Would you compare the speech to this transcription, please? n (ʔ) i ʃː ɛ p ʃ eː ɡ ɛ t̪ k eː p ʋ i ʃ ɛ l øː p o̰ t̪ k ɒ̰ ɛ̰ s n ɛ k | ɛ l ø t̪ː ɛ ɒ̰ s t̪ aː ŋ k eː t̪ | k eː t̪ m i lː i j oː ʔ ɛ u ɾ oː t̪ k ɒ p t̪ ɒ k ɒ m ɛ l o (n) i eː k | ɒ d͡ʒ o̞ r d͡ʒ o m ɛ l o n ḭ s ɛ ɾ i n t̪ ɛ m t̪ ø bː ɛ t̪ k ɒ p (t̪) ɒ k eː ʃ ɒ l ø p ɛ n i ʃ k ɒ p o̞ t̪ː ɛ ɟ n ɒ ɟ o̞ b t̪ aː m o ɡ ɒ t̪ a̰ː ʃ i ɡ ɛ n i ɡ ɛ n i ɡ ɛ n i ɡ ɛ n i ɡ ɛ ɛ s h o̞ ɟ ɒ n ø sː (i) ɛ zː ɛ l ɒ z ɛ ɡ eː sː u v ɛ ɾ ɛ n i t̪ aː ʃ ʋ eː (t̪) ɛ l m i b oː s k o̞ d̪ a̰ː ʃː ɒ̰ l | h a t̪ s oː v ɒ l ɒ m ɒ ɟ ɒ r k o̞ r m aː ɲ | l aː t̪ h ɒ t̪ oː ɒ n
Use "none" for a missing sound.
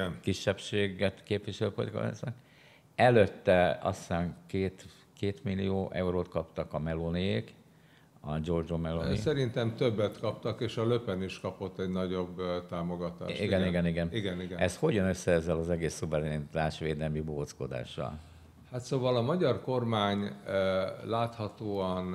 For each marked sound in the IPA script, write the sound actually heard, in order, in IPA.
k, n, t̪, ɛ, d̪

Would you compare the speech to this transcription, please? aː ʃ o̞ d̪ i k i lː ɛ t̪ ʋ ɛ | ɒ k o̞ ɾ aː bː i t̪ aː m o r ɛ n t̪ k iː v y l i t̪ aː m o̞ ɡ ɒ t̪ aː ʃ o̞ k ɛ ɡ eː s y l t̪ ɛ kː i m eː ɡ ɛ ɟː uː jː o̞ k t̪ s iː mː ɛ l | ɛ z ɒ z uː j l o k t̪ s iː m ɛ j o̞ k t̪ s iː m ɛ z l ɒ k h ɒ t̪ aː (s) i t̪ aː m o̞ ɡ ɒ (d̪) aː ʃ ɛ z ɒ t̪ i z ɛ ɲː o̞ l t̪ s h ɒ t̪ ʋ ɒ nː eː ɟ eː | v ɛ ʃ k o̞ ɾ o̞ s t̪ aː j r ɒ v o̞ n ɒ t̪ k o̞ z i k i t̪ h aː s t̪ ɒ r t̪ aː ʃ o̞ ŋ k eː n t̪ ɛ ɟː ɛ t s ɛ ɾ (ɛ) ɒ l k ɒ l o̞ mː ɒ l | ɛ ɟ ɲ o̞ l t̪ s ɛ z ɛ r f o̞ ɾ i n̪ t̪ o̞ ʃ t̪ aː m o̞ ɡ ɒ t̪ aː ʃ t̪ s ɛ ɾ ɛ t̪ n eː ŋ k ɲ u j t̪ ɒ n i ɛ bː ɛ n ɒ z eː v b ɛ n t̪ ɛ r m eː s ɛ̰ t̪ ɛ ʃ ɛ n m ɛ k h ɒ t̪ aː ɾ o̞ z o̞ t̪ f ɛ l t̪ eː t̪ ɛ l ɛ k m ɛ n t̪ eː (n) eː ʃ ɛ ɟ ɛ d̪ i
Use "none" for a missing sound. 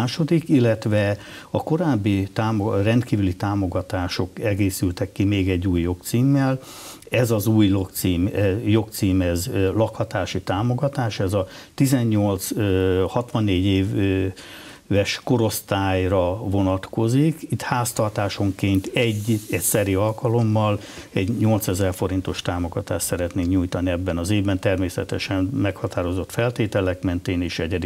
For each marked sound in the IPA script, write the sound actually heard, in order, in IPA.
ʃ, t̪, i, n

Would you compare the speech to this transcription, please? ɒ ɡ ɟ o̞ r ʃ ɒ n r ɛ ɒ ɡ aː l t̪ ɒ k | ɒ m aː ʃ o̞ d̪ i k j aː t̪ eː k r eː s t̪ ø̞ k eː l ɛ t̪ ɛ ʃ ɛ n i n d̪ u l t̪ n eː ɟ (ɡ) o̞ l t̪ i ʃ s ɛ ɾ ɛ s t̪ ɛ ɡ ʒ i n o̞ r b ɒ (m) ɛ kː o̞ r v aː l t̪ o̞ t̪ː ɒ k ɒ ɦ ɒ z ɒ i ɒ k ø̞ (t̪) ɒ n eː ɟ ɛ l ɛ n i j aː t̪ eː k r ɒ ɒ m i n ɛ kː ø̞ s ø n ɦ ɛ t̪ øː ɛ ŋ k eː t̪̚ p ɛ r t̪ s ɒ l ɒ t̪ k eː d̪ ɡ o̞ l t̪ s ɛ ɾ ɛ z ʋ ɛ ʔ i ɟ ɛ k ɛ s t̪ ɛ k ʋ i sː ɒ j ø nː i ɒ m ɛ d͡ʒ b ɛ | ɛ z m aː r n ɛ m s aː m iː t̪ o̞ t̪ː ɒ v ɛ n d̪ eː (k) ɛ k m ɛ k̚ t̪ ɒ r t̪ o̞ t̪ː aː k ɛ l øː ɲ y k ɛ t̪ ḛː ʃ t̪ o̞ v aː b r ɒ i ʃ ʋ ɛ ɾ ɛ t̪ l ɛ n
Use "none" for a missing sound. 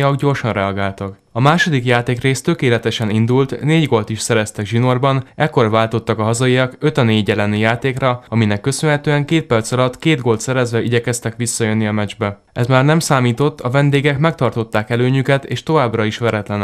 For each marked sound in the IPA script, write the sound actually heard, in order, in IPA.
ɡ, n, t̪, ɡ

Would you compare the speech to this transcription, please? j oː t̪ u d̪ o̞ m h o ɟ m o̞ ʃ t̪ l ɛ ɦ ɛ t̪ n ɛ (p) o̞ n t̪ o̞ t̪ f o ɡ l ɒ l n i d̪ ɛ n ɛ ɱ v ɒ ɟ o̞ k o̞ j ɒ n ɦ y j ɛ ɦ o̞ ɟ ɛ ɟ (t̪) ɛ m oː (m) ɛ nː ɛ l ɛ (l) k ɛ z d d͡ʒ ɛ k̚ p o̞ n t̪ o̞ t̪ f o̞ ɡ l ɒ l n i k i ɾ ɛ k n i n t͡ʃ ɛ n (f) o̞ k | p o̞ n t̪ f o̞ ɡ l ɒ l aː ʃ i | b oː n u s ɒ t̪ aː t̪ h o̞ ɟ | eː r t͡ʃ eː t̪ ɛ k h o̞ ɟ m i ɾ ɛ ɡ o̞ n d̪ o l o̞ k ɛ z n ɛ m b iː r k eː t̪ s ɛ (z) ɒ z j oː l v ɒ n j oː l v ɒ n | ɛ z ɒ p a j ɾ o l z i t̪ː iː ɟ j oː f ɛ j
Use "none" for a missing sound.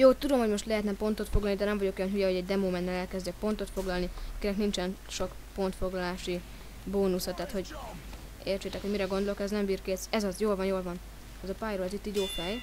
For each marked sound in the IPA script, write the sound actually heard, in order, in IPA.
p, d̪, m, l, ʃ, z

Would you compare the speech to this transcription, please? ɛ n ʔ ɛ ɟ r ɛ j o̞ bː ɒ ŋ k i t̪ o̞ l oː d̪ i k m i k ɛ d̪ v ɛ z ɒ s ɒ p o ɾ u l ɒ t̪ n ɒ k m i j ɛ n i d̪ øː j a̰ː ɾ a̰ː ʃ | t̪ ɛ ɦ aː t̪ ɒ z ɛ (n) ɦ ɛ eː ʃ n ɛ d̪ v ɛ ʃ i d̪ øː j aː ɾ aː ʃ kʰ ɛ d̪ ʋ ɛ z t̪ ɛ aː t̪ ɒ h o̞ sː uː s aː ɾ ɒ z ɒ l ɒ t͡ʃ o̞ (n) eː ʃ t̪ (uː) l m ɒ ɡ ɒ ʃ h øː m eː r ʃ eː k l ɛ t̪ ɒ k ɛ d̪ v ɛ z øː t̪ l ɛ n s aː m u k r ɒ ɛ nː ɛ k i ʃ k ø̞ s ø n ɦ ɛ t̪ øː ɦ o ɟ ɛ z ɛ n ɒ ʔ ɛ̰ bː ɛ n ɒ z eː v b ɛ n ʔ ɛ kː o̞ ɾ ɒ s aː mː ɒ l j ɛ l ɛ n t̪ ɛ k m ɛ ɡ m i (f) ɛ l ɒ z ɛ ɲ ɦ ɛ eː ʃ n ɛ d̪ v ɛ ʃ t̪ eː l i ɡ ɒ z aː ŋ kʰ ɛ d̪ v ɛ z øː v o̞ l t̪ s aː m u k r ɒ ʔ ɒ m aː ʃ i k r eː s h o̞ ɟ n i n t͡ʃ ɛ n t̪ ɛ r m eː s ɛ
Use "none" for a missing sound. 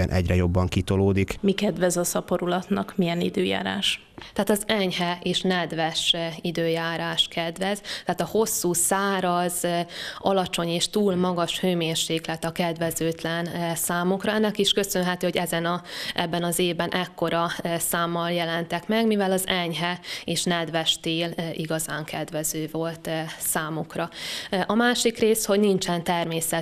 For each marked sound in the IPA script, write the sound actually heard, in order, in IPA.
ɲ, ɲ, uː, v

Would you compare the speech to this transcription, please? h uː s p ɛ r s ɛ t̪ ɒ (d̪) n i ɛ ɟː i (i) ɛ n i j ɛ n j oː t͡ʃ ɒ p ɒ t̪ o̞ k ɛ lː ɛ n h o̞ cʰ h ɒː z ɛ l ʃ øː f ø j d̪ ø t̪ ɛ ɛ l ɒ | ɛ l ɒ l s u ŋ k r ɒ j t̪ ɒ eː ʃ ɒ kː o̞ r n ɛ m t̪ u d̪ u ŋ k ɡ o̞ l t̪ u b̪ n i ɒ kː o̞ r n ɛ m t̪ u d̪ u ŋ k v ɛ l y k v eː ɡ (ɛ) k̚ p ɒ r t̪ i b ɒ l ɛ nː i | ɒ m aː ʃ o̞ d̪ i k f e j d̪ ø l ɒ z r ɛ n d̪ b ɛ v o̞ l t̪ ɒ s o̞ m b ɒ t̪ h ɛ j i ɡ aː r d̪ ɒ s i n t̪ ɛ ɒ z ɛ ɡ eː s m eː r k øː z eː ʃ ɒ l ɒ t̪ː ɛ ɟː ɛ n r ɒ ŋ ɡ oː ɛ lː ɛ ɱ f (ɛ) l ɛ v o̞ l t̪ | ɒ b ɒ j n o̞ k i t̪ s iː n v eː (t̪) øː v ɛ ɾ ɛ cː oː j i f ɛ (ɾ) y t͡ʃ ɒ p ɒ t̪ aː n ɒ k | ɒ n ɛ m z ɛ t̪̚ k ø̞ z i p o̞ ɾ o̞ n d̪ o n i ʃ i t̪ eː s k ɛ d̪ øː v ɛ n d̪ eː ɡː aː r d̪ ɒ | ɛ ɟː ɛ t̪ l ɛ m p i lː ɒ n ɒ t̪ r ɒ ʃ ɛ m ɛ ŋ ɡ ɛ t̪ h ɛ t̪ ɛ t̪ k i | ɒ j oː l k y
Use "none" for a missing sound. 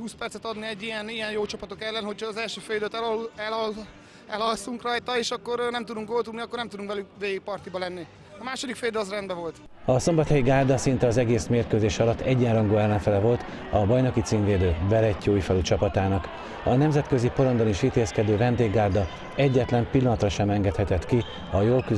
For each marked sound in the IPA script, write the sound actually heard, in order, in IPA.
d̪, j, i, ɛ, d̪, l

